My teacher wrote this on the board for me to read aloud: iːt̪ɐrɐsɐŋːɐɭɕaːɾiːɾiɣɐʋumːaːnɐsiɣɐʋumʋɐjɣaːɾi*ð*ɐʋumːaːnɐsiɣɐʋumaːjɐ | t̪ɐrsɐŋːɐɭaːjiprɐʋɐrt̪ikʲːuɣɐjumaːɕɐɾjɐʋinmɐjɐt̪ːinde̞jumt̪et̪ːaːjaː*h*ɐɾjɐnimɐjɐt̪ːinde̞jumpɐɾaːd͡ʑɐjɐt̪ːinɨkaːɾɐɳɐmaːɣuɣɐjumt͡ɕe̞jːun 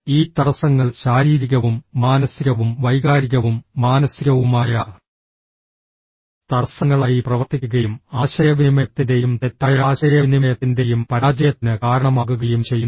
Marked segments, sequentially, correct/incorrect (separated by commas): incorrect, incorrect